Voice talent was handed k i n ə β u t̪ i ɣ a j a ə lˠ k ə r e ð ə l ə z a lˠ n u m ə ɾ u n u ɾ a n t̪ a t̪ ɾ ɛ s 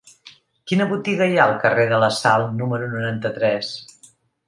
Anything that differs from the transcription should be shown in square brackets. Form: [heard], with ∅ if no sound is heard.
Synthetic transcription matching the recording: k i n ə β u t̪ i ɣ [ə] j a ə lˠ k ə r e ð ə l ə [s] a lˠ n u m ə ɾ u n u ɾ a n t̪ [ə] t̪ ɾ ɛ s